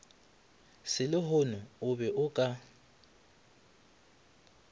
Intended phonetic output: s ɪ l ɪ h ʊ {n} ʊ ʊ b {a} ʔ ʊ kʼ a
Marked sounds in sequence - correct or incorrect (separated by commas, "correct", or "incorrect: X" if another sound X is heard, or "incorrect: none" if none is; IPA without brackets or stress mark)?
correct, incorrect: ɛ